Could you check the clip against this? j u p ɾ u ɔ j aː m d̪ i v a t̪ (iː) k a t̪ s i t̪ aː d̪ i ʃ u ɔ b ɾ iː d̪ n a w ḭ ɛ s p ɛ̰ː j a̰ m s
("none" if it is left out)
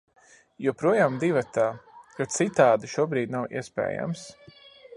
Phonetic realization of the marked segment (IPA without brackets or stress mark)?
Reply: aː